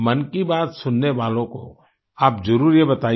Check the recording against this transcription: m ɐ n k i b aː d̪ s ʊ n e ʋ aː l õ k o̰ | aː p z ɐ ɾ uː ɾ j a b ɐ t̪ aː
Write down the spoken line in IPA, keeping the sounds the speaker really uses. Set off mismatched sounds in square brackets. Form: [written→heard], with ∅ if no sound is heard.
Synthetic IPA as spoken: m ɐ n k i b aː [d̪→t̪] s ʊ [n→nː] e ʋ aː l õ k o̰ | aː p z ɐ ɾ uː ɾ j [a→e] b ɐ t̪ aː